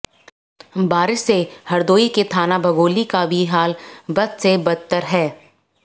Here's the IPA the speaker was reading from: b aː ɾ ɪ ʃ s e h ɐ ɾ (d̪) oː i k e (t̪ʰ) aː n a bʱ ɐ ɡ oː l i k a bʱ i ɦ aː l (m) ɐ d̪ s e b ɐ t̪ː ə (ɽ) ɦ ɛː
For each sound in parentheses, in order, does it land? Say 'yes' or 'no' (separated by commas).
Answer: yes, yes, no, no